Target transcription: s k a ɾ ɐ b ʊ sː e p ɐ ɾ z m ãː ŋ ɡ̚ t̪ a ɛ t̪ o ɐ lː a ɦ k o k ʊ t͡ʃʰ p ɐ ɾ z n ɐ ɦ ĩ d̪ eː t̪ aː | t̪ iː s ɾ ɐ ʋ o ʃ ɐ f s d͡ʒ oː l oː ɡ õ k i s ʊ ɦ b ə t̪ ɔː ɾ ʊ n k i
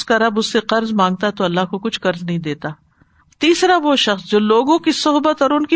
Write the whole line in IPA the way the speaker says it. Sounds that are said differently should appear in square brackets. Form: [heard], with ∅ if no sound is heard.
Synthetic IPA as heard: s k a ɾ ɐ b ʊ sː e [q] ɐ ɾ z m ãː ŋ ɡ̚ t̪ a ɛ t̪ o ɐ lː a ɦ k o k ʊ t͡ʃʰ [q] ɐ ɾ z n ɐ ɦ ĩ d̪ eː t̪ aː | t̪ iː s ɾ [a] ʋ o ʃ ɐ [x] s d͡ʒ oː l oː ɡ õ k i s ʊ ɦ b ə t̪ ɔː ɾ ʊ n k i